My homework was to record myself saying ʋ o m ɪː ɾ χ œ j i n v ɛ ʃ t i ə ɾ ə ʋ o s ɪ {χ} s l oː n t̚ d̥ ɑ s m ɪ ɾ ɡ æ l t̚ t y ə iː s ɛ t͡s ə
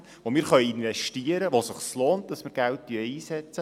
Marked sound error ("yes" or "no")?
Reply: no